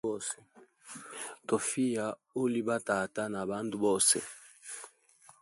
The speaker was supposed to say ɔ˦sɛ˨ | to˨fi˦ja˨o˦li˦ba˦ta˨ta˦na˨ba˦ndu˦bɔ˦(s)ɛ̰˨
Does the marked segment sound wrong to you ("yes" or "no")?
no